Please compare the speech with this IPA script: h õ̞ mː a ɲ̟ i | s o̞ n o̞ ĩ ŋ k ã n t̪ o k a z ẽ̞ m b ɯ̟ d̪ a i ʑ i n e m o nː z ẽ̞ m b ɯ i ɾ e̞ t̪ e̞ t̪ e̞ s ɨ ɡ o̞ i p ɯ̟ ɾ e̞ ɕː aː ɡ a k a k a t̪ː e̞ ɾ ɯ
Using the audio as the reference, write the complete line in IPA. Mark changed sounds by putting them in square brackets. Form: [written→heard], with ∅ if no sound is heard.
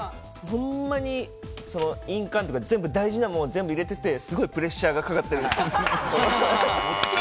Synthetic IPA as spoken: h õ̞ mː a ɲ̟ i | s o̞ n o̞ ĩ ŋ k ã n t̪ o k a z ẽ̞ m b ɯ̟ d̪ a i ʑ i n [e→a] m o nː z ẽ̞ m b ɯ i ɾ e̞ t̪ e̞ t̪ e̞ s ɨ ɡ o̞ i p ɯ̟ ɾ e̞ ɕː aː ɡ a k a k a t̪ː e̞ ɾ ɯ